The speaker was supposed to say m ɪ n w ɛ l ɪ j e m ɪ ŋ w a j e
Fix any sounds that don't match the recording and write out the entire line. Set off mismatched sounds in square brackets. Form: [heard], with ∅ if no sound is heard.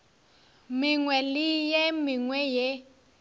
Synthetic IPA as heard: m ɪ [ŋ] w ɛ l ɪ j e m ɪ ŋ w [ɛ] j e